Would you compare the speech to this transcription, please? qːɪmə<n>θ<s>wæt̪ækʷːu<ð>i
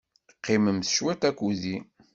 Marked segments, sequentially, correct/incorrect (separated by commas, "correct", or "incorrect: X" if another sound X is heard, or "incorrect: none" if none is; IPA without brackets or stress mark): incorrect: m, incorrect: ʃ, correct